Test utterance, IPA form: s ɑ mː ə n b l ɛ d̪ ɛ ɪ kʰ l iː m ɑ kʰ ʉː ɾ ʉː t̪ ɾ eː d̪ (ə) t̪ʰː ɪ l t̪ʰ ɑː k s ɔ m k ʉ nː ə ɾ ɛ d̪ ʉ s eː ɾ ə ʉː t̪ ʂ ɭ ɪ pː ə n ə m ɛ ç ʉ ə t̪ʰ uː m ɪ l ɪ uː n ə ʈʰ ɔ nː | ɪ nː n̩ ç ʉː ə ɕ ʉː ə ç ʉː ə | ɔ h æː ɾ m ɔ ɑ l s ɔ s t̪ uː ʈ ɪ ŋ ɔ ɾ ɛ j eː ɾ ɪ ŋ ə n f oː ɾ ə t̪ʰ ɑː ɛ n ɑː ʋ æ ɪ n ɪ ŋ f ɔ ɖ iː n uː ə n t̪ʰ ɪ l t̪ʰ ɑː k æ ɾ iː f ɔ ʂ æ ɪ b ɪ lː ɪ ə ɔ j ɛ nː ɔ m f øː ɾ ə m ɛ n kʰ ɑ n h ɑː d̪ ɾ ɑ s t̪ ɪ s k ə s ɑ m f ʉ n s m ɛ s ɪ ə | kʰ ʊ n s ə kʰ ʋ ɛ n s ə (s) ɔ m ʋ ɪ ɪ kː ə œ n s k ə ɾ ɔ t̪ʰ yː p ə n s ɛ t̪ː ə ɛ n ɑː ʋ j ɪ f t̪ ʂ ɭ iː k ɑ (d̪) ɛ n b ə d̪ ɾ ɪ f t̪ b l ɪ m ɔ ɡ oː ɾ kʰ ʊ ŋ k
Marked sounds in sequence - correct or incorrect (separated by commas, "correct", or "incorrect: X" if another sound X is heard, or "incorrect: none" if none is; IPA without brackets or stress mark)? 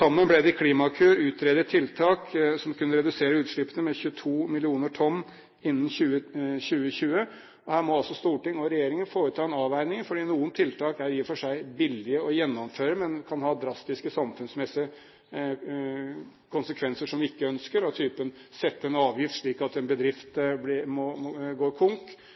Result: correct, incorrect: ʂ, incorrect: t̪